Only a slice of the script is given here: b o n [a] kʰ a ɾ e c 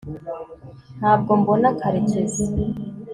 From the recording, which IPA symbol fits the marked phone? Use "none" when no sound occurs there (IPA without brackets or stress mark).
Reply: a